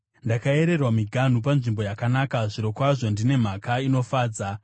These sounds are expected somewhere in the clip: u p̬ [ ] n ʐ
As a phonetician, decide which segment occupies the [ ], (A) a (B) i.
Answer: A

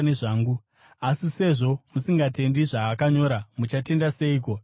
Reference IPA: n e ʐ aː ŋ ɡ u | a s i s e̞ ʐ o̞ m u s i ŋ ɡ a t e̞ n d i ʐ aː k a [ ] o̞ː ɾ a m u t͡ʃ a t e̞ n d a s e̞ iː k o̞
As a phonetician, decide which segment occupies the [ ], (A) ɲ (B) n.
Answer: A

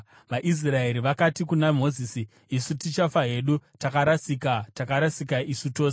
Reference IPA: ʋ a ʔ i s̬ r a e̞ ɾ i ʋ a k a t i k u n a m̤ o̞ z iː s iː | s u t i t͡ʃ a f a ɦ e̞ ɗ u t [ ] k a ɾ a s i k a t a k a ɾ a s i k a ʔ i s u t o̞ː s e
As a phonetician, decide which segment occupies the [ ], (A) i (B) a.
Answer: B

